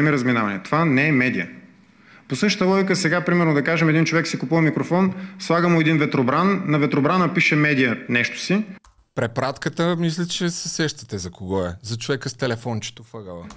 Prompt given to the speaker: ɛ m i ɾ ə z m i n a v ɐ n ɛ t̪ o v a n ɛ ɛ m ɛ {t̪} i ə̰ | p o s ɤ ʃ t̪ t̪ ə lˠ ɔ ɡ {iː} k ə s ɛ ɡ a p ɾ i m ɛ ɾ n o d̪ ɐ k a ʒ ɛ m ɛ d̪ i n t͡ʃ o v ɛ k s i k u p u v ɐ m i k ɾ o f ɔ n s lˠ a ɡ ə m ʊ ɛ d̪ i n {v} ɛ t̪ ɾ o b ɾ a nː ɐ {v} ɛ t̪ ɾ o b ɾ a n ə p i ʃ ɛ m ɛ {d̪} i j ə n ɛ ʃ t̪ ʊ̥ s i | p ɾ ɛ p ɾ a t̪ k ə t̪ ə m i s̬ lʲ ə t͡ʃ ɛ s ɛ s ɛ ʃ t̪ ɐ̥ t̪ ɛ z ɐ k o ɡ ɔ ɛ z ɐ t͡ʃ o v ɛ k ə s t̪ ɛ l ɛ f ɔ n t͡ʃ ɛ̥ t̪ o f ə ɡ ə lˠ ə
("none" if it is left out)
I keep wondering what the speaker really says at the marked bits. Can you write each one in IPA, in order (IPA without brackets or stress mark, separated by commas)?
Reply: d̪, i, v, v, d̪